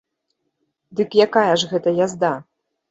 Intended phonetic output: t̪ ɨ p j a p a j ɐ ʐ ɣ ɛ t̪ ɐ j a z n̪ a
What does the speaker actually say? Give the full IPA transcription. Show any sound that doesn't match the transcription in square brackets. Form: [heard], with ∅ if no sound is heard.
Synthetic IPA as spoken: [d̪] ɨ [k] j a [k] a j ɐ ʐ ɣ ɛ t̪ ɐ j a z [d̪] a